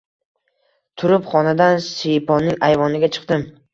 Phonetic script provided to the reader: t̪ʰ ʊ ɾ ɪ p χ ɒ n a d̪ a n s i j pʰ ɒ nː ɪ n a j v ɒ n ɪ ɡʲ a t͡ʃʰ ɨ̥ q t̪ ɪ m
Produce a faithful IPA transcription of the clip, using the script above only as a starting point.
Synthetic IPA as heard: t̪ʰ ʊ ɾ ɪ p χ ɒ n a d̪ a n s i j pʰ ɒ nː ɪ ŋ a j v ɒ n ɪ ɡʲ a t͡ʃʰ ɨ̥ q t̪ ɪ m